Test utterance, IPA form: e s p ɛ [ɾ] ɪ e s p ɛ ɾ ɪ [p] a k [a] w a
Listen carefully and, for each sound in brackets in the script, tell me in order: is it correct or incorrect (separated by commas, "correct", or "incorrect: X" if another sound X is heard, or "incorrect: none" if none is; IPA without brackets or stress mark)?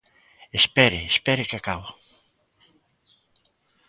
correct, incorrect: k, correct